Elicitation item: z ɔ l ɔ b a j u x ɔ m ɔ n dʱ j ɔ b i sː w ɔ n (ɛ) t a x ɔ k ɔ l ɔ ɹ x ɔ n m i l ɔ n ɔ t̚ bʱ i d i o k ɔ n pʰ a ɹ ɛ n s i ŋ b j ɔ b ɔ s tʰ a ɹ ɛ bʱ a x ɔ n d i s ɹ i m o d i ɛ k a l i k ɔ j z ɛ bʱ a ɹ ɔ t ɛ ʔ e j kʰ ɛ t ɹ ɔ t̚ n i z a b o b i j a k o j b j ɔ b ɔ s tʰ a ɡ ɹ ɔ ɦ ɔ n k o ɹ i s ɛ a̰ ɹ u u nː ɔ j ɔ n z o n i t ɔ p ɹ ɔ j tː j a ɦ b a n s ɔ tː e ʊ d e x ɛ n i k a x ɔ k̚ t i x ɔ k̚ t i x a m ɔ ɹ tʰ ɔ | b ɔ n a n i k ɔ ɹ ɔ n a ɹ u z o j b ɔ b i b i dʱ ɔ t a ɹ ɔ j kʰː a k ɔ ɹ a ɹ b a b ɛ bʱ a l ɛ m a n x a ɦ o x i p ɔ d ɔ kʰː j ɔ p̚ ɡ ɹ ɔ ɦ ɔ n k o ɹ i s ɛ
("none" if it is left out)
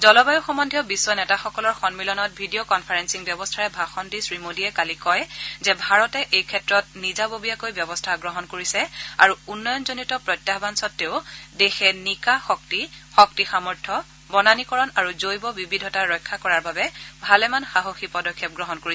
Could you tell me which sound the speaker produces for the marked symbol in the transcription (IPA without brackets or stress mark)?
ɛ